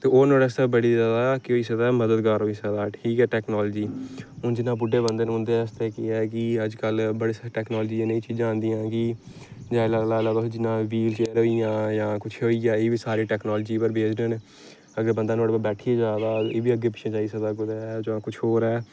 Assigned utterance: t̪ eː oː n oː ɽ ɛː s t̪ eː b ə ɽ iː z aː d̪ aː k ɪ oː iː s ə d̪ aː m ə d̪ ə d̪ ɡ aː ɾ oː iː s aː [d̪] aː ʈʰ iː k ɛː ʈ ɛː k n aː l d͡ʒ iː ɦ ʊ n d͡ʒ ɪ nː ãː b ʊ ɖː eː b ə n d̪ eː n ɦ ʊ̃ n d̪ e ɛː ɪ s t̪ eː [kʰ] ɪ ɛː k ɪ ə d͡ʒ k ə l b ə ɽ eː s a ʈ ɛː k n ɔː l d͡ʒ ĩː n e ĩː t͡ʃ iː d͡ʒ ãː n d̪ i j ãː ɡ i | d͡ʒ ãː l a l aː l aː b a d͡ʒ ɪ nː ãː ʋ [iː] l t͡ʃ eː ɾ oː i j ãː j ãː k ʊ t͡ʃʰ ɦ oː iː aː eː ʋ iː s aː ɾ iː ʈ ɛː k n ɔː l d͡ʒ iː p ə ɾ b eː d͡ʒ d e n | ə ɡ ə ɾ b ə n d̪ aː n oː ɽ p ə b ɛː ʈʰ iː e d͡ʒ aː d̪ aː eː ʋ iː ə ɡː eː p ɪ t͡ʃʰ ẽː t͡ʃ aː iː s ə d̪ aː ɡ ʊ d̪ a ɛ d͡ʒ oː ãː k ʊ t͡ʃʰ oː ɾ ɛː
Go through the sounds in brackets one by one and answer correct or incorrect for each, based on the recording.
correct, incorrect, correct

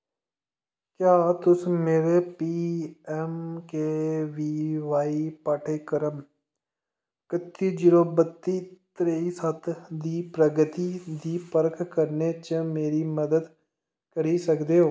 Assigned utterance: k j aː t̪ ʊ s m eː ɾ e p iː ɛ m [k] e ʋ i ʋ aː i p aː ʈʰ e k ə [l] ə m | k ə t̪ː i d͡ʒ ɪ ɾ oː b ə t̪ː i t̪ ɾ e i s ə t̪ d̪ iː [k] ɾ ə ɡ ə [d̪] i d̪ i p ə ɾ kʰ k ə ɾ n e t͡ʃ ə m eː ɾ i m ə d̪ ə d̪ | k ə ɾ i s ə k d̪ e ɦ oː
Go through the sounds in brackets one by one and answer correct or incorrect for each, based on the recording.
correct, incorrect, incorrect, incorrect

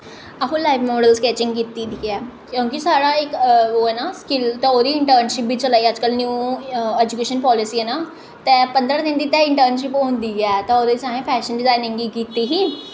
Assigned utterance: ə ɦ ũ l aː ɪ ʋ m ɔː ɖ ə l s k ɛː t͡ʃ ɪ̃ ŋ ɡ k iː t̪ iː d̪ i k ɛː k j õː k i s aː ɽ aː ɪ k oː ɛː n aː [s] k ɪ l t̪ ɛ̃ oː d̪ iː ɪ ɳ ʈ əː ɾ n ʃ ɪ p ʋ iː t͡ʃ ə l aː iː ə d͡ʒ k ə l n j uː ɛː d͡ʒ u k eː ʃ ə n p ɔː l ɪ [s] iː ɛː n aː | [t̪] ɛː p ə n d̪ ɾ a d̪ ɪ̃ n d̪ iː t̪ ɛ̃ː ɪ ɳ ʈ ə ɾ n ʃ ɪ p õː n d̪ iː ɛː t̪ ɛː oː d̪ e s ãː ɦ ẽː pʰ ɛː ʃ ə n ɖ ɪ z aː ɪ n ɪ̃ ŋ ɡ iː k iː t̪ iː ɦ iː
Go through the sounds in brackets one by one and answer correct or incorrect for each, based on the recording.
correct, correct, correct

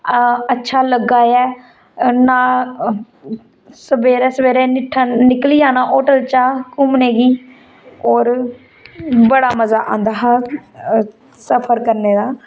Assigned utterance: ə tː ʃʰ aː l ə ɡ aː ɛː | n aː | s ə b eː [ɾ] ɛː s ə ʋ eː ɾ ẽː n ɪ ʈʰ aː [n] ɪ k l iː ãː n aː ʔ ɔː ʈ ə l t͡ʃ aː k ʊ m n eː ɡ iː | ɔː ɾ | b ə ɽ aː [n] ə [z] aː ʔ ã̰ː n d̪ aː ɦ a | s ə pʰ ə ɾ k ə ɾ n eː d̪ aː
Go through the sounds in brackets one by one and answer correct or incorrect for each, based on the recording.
correct, correct, incorrect, correct

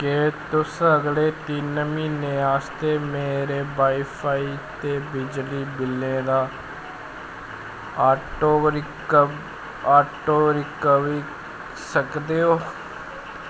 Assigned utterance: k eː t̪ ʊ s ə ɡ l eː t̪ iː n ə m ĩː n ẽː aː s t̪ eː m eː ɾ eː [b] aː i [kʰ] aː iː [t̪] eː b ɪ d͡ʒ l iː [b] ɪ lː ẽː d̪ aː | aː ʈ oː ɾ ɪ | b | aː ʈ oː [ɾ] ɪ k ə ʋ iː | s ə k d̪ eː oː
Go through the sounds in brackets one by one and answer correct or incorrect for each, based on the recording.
correct, incorrect, correct, correct, correct

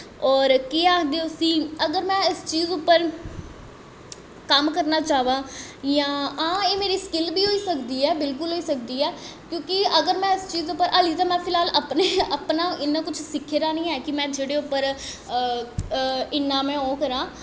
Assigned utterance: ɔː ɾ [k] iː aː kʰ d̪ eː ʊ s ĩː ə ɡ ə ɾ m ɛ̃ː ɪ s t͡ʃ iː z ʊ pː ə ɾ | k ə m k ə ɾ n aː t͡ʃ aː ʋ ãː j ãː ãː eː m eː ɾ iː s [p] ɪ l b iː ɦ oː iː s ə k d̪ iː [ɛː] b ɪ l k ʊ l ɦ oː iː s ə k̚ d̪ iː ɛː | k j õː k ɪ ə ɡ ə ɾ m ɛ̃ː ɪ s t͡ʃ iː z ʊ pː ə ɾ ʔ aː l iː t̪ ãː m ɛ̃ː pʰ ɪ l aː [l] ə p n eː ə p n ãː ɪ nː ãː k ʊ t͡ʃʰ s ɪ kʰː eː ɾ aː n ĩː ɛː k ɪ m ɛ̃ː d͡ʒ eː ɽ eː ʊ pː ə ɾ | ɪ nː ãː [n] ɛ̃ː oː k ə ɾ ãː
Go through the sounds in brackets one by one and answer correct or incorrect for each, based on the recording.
correct, incorrect, correct, correct, incorrect

